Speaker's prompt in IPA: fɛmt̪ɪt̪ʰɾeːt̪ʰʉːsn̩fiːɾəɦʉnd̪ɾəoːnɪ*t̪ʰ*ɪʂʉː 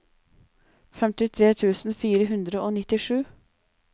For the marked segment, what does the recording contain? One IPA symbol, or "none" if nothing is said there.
t̪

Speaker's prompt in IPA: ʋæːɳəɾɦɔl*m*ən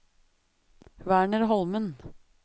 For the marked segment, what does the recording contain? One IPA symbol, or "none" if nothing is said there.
m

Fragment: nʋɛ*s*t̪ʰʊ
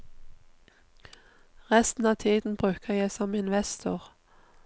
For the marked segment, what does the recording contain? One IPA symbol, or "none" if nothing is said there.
s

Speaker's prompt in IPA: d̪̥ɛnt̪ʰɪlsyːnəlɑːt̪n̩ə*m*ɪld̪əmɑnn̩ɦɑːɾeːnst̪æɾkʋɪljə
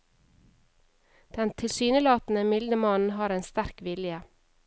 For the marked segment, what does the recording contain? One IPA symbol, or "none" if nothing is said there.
m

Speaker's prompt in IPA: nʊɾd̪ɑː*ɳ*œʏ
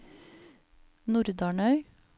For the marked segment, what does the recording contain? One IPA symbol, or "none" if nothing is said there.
ɳ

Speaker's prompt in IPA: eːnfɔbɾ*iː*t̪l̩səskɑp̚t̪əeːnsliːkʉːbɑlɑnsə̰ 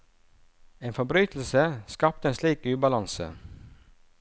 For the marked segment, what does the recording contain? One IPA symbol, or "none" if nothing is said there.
yː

